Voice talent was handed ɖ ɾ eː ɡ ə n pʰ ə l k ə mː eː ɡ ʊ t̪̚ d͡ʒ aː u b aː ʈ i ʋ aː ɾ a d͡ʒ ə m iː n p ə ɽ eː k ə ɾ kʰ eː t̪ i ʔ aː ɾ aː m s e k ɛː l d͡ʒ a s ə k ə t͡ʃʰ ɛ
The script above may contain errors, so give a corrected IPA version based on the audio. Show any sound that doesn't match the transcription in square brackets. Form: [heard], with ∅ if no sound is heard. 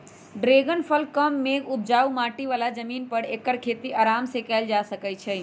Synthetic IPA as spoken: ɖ ɾ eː ɡ ə n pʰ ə l k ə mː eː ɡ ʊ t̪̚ d͡ʒ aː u [m] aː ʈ i ʋ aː [l] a d͡ʒ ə m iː n p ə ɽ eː k ə ɾ kʰ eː t̪ i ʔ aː ɾ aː m s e k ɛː l d͡ʒ a s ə k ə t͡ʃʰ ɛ